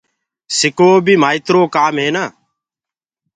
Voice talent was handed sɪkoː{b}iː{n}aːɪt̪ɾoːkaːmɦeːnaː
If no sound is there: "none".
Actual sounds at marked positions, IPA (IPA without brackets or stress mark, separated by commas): b, m